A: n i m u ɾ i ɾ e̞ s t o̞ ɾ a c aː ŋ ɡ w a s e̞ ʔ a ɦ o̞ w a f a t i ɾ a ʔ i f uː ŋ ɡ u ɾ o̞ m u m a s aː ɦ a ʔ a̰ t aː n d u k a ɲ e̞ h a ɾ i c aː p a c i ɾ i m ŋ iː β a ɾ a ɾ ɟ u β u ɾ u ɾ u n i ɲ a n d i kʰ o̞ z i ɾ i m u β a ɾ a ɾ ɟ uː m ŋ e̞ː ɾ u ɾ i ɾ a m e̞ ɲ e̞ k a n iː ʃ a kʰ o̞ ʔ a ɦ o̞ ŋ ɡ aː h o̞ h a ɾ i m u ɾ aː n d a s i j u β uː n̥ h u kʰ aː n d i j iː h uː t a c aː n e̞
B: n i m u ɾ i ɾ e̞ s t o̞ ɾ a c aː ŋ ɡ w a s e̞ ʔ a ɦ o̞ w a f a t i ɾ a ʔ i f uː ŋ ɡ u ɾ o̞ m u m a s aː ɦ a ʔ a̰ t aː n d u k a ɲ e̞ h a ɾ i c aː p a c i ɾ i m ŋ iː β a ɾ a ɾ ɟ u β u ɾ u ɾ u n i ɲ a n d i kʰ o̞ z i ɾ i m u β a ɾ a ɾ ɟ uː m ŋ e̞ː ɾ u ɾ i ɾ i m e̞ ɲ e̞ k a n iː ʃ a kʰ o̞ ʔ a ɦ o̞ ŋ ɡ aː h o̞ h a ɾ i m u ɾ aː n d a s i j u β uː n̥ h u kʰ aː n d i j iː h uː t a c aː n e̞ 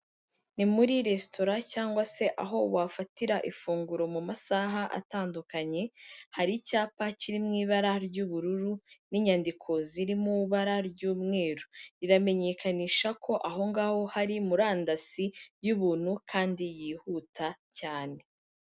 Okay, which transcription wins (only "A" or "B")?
A